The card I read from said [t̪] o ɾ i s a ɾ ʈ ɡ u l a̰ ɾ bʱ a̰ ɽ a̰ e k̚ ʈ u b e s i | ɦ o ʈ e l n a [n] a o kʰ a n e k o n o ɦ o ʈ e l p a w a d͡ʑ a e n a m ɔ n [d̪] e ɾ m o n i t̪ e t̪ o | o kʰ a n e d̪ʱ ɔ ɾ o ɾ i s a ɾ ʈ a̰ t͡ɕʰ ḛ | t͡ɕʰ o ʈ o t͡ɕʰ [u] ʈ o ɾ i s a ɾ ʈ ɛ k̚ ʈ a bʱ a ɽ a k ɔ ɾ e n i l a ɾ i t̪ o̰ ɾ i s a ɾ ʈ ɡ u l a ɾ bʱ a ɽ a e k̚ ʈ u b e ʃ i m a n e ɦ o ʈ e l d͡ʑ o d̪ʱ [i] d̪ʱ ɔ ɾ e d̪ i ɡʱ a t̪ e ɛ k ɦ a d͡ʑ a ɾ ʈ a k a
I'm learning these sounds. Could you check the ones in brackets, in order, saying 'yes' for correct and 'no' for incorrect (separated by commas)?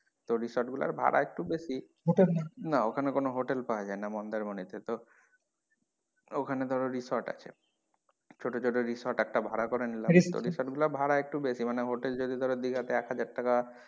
yes, yes, yes, no, yes